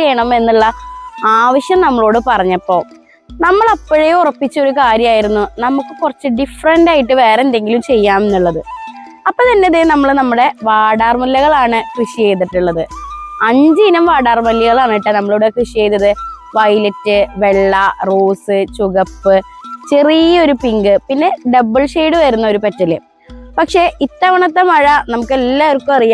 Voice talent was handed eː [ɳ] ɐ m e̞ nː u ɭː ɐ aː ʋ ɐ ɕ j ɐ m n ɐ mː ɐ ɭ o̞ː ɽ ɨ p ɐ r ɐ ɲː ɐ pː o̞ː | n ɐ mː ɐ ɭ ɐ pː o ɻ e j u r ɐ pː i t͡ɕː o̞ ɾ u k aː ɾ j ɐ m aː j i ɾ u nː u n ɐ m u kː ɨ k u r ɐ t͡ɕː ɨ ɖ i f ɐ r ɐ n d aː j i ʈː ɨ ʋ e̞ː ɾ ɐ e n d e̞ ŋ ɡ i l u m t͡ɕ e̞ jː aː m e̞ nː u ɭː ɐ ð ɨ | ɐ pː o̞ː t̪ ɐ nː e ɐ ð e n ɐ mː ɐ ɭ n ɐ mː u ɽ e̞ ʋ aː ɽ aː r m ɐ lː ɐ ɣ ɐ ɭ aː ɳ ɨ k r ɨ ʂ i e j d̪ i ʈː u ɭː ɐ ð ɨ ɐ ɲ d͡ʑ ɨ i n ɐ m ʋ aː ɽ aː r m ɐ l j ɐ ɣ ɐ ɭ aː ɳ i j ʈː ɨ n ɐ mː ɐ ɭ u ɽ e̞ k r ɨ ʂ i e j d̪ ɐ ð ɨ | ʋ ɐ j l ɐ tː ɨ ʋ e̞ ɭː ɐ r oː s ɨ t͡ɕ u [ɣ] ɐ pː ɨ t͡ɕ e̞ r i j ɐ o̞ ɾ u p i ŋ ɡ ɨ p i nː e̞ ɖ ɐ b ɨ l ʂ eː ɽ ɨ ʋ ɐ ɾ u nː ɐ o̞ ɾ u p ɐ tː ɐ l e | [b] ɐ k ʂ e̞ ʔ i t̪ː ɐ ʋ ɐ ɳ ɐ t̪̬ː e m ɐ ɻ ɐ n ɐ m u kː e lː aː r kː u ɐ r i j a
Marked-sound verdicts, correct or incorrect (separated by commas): correct, correct, incorrect